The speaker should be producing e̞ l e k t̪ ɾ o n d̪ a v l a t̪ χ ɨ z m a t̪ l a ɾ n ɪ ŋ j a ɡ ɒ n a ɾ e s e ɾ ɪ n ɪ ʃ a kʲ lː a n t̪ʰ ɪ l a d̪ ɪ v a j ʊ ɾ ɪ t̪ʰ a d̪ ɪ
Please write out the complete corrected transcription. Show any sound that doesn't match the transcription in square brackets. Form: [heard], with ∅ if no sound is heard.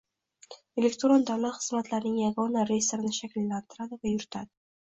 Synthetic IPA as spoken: e̞ l e k t̪ ɾ o n d̪ a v l a t̪ χ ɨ z m a t̪ l a ɾ n ɪ ŋ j a ɡ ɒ n a ɾ e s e ɾ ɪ n ɪ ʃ a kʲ lː a n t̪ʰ ɪ [ɾ] a d̪ ɪ v a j ʊ ɾ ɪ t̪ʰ a d̪ ɪ